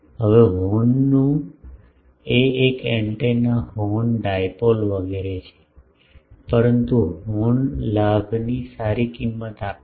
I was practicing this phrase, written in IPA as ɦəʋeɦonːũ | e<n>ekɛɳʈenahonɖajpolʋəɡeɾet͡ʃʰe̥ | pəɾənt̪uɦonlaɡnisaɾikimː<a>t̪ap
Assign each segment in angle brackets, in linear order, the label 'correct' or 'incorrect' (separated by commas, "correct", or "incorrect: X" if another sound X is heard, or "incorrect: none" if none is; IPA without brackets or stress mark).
incorrect: none, incorrect: ə